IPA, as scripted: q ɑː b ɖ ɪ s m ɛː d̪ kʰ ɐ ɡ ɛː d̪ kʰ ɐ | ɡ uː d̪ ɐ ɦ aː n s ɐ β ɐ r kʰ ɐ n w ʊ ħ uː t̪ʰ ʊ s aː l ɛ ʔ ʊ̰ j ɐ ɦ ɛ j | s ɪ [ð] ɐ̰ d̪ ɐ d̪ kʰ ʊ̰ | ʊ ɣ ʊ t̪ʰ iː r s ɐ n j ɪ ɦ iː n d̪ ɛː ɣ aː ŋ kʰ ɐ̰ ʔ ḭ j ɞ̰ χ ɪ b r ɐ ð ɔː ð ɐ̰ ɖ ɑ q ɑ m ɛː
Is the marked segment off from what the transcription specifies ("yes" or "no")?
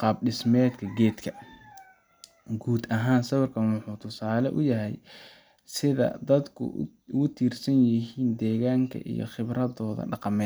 no